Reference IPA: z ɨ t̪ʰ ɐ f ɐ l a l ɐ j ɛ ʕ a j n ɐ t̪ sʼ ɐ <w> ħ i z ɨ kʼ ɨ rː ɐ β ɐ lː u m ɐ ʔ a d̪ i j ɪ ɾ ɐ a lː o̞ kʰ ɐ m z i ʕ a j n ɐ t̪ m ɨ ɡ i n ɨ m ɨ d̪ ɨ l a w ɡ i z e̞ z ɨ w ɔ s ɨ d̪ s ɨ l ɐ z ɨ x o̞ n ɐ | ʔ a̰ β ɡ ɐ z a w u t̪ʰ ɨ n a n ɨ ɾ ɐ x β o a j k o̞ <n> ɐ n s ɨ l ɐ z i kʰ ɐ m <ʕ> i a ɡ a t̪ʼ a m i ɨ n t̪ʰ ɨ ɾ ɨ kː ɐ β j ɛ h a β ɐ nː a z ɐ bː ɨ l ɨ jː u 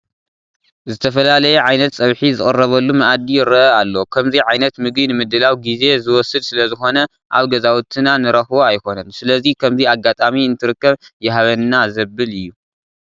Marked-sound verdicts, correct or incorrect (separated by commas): incorrect, correct, incorrect